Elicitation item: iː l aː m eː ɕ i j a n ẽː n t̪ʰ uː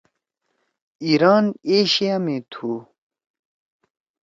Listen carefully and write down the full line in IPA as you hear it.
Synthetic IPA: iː ɾ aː n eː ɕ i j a m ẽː t̪ʰ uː